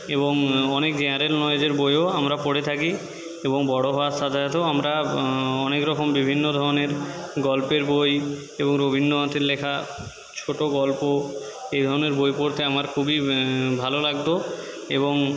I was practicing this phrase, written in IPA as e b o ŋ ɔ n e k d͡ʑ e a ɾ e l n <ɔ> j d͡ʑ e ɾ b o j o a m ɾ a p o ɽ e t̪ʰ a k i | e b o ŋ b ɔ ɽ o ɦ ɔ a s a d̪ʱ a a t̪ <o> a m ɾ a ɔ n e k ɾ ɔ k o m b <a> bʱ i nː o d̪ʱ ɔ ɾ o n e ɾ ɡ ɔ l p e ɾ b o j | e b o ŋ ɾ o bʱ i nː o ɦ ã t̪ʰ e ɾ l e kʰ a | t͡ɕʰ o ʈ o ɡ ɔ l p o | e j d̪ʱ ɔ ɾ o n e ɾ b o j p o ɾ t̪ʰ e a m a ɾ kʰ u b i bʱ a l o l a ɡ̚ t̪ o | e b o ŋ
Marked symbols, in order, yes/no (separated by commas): yes, yes, no